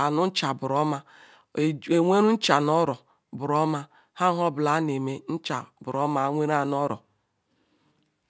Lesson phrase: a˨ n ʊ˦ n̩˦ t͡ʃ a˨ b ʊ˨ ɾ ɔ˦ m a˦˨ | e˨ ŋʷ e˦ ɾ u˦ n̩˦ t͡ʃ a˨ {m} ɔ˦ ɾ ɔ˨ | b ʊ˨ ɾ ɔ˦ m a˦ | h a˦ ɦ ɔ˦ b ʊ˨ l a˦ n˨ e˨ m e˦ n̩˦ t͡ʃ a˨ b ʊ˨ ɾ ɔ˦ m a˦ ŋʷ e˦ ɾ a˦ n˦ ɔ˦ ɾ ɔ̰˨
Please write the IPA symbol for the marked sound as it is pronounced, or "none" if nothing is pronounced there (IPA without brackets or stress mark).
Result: n